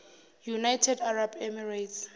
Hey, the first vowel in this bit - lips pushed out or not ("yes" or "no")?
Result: yes